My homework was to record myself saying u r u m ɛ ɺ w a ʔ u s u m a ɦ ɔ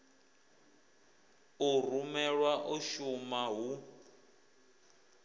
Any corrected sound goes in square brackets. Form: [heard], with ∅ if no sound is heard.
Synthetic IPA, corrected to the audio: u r u m ɛ ɺ w a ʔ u [ʃ] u m a ɦ [u]